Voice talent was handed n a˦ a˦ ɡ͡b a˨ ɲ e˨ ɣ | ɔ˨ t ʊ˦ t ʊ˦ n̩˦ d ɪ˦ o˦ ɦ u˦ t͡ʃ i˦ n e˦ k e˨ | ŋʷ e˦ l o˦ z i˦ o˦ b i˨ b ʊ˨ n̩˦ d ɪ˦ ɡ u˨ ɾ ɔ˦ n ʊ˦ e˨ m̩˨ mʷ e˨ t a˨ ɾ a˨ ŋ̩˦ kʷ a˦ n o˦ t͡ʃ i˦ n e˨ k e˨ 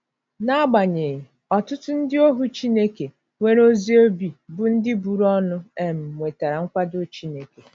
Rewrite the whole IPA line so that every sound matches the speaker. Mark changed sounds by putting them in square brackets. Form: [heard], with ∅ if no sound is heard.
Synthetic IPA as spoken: n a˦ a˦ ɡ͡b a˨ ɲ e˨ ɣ | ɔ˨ t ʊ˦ t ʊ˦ n̩˦ d ɪ˦ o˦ ɦ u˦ t͡ʃ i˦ n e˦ k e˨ | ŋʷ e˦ [ɾ] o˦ z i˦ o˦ b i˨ b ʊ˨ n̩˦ d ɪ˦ [b] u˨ ɾ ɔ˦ n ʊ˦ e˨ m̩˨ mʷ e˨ t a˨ ɾ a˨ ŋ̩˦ kʷ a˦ [d] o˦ t͡ʃ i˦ n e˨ k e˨